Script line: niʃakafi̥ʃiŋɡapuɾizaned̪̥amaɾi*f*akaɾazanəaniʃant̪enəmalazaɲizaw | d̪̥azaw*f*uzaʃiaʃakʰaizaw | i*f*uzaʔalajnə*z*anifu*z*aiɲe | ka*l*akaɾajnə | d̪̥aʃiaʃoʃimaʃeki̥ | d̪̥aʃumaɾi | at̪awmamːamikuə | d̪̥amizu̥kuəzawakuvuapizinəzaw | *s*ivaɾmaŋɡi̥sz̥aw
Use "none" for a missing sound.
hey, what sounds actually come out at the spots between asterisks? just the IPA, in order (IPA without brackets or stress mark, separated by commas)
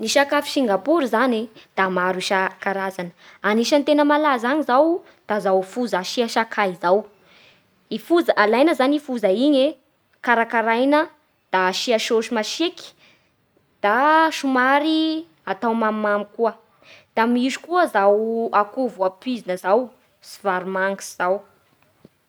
ʃ, f, f, z, z, ɾ, s